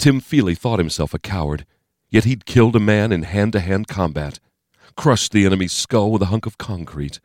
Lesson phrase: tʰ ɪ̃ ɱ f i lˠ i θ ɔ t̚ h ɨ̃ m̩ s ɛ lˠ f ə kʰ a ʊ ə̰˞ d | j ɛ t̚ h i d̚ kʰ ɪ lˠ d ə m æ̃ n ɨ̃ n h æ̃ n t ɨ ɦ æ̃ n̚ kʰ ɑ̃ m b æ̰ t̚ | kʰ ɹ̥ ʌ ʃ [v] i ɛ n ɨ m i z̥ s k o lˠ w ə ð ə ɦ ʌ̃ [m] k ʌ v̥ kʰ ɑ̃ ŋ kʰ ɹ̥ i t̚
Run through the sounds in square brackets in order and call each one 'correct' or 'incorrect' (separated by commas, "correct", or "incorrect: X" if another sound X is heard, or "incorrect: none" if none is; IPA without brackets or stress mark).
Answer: incorrect: ð, incorrect: ŋ